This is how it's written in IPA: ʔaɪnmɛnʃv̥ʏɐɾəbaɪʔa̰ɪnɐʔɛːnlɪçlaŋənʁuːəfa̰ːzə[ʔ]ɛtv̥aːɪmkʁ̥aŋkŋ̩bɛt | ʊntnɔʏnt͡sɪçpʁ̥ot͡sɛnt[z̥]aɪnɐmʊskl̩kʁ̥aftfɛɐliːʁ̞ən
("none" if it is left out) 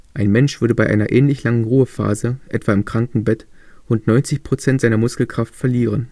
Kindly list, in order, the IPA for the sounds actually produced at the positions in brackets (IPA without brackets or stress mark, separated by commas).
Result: ʔ, z̥